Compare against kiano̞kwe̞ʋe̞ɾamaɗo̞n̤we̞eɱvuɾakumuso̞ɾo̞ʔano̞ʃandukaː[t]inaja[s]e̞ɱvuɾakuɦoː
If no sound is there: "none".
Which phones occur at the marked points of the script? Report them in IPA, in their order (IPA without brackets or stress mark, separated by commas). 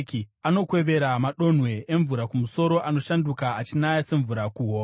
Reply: t͡ʃ, s